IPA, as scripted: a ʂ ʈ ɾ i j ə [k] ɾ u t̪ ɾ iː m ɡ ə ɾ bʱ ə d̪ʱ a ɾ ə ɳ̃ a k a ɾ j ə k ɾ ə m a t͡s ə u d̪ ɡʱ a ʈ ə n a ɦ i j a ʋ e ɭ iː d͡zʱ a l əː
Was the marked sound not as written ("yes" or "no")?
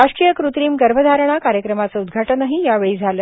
no